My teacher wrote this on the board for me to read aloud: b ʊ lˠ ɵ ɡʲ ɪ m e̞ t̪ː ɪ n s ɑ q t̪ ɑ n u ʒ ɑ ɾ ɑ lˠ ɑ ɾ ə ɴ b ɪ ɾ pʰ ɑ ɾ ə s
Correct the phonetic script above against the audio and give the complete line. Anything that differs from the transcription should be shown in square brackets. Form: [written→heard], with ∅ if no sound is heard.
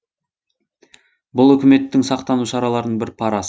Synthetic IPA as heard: b ʊ lˠ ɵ [ɡʲ→kʲ] ɪ m e̞ t̪ː ɪ [n→ŋ] s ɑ q t̪ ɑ n u [ʒ→ʃ] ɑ ɾ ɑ lˠ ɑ ɾ ə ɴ b ɪ ɾ pʰ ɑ ɾ [ə→ɑ] s